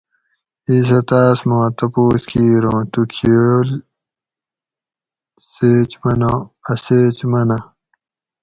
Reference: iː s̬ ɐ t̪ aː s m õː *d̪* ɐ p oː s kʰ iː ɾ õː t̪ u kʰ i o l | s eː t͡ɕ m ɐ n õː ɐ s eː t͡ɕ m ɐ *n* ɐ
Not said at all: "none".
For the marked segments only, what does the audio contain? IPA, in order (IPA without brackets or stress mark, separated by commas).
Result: t̪, n